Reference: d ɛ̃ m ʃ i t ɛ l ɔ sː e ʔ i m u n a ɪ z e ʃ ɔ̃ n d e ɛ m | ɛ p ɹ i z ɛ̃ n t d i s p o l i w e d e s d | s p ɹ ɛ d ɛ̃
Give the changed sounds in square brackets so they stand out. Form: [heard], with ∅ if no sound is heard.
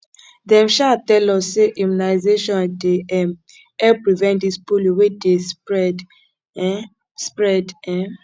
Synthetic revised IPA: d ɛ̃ m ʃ [a] t ɛ l ɔ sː e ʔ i m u n a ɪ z e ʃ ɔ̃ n d e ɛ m | ɛ p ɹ i [v] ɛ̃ n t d i s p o l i w e d e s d | s p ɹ ɛ d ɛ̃